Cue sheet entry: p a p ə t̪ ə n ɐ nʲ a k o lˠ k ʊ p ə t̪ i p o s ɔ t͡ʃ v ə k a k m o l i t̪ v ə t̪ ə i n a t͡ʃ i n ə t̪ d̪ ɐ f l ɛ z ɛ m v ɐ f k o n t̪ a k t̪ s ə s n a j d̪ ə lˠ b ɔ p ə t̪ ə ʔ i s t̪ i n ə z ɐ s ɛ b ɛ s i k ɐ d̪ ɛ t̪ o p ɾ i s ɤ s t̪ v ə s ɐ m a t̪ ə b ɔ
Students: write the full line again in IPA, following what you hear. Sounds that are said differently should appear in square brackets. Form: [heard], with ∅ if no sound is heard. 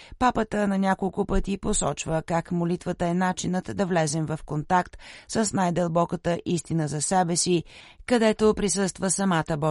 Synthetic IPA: p a p ə t̪ ə n ɐ nʲ a k o lˠ k ʊ p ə t̪ i p o s ɔ t͡ʃ v ə k a k m o l i t̪ v ə t̪ ə [ɛ] n a t͡ʃ i n ə t̪ d̪ ɐ [v] l ɛ z ɛ m v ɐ f k o n t̪ a k t̪ s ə s n a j d̪ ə lˠ b ɔ [k] ə t̪ ə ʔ i s t̪ i n ə z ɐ s ɛ b ɛ s i k ɐ d̪ ɛ t̪ o p ɾ i s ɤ s t̪ v ə s ɐ m a t̪ ə b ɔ